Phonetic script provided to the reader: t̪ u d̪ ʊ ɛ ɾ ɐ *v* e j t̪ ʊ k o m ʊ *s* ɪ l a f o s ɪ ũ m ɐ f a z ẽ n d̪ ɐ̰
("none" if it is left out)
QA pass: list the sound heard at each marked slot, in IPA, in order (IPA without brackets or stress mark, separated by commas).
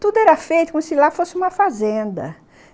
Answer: f, s